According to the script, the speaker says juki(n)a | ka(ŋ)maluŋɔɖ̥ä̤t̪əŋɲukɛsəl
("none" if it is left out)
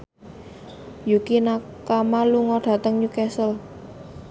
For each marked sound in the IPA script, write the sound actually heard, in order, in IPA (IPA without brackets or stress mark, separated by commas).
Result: n, none